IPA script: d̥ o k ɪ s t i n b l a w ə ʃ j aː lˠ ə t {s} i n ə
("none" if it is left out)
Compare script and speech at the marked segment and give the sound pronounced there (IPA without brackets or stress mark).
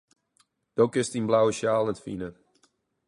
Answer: f